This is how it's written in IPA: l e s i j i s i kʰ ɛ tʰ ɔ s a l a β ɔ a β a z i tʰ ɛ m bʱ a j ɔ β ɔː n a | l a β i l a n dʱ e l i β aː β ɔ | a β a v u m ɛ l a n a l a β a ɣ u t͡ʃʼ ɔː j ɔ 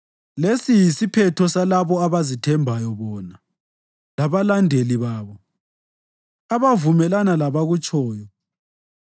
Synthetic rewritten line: l e s i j i s i pʰ ɛ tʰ ɔ s a l a β ɔ a β a z i tʰ ɛ m bʱ a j ɔ β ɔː n a | l a β a l a n dʱ e l i β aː β ɔ | a β a v u m ɛ l a n a l a β a ɣ u t͡ʃʼ ɔː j ɔ